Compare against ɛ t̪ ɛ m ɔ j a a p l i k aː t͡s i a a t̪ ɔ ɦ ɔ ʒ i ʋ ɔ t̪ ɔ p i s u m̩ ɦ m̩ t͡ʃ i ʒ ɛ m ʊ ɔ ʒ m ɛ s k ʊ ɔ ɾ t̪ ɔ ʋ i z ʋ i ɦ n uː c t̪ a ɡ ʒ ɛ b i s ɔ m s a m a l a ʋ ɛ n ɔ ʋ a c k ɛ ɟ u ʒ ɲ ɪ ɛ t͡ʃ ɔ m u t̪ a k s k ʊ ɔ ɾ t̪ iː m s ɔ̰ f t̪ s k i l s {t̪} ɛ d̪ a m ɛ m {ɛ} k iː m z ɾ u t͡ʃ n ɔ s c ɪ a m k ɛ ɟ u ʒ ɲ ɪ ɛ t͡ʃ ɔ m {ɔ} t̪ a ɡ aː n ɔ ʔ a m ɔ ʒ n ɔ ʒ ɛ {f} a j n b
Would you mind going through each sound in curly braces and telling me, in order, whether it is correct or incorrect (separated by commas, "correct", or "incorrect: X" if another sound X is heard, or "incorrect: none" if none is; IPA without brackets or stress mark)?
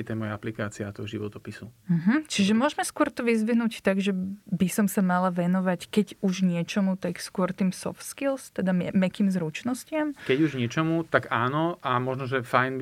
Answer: correct, correct, incorrect: u, correct